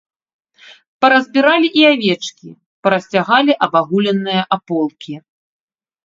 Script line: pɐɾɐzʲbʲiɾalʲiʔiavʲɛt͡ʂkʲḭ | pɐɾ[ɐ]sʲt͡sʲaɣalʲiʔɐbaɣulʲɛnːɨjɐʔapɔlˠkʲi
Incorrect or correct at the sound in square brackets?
correct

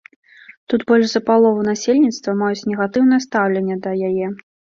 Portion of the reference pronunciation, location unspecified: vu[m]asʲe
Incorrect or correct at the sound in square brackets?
incorrect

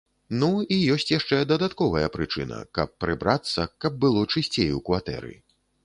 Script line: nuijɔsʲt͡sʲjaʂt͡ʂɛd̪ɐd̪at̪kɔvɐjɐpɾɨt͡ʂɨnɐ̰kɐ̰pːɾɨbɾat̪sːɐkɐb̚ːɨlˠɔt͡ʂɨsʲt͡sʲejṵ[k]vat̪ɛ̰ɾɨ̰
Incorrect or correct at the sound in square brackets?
correct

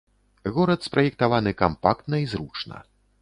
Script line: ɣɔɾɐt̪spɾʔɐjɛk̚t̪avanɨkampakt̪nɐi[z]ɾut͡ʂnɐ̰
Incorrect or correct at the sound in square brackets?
correct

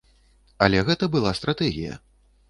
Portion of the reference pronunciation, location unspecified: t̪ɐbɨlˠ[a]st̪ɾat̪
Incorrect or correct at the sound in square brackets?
correct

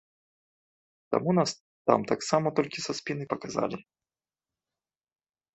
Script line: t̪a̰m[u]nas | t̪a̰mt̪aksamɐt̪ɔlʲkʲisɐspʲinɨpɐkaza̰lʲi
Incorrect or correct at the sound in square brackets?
correct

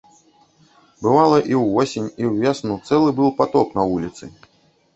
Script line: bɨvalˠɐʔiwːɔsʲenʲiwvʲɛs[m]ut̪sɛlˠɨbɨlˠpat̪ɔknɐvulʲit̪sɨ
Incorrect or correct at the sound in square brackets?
incorrect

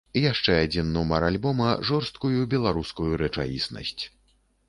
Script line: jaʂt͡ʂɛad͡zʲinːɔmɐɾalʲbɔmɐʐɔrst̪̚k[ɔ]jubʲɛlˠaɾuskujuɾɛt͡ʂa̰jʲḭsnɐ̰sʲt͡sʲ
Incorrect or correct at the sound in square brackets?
incorrect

